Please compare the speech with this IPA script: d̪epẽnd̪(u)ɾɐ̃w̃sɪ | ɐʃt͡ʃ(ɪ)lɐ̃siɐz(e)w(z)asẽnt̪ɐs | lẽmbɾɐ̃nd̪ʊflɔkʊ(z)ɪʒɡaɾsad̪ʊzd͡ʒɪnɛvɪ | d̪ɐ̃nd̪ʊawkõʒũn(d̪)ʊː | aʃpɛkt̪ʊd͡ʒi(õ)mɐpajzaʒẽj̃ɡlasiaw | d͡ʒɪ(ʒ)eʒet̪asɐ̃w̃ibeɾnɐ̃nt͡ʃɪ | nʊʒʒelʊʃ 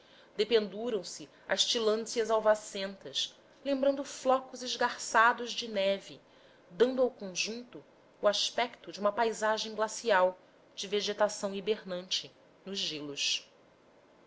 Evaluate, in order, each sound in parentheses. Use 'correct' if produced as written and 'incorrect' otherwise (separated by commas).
correct, incorrect, incorrect, incorrect, correct, incorrect, incorrect, incorrect